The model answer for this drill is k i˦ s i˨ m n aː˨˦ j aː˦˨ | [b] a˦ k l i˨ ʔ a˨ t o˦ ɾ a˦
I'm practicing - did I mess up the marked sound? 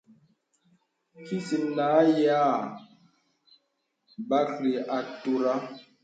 no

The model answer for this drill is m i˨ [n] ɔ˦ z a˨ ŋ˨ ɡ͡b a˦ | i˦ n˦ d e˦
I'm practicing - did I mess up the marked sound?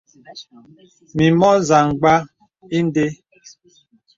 yes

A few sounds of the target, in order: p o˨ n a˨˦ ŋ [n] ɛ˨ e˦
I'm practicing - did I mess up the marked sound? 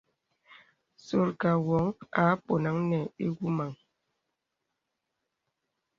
no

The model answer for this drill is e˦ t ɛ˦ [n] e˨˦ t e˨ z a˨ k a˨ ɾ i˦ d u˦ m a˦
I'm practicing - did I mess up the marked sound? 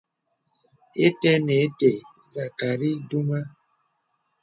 no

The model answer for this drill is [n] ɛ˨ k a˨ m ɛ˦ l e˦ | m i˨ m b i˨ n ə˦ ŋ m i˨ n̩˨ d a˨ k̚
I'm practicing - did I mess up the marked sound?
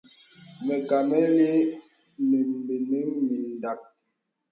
yes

